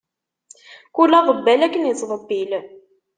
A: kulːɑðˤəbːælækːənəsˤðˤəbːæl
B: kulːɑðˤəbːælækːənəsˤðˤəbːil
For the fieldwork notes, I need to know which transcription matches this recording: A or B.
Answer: B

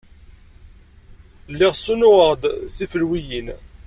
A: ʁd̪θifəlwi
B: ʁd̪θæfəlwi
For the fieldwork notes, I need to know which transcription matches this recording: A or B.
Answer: A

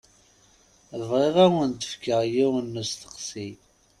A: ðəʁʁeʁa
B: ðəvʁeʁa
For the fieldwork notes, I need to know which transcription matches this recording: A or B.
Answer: B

